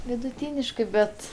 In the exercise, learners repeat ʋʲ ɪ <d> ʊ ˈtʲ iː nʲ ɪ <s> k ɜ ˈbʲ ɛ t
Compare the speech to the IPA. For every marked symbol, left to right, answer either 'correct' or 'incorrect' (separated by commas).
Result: correct, incorrect